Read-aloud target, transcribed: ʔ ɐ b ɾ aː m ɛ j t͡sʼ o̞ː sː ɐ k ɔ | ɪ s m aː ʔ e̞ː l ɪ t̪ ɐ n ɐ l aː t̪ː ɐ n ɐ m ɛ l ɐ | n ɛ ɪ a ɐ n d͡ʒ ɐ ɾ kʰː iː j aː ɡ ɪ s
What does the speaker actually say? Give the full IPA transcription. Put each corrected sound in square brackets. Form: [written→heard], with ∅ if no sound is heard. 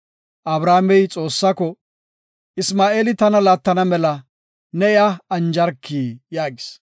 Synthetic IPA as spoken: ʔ ɐ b ɾ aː m ɛ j t͡sʼ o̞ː sː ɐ k ɔ | ɪ s m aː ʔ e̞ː l ɪ t̪ ɐ n ɐ l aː t̪ː ɐ n ɐ m ɛ l ɐ | n ɛ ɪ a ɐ n d͡ʒ ɐ ɾ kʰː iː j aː ɡ ɪ s

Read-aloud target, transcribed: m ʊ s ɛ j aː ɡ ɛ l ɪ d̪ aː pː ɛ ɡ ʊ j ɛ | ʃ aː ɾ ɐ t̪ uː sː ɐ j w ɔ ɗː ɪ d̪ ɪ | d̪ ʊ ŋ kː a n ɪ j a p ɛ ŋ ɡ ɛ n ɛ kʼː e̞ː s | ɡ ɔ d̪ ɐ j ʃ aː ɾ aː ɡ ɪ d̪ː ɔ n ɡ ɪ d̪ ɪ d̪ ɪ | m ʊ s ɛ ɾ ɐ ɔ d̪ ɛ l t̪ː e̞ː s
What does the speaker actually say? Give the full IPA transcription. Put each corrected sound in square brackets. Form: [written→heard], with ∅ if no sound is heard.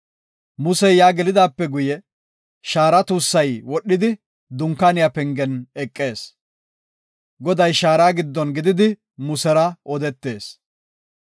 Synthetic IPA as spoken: m ʊ s ɛ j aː ɡ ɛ l ɪ d̪ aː pː ɛ ɡ ʊ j ɛ | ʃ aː ɾ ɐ t̪ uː sː ɐ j w ɔ ɗː ɪ d̪ ɪ | d̪ ʊ ŋ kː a n ɪ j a p ɛ ŋ ɡ ɛ n ɛ kʼː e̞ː s | ɡ ɔ d̪ ɐ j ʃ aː ɾ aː ɡ ɪ d̪ː ɔ n ɡ ɪ d̪ ɪ d̪ ɪ | m ʊ s ɛ ɾ ɐ ɔ d̪ ɛ [l→∅] t̪ː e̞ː s

